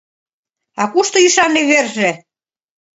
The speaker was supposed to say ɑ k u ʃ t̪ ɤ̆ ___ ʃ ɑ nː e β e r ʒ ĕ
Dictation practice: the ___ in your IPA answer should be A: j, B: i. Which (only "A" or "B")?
B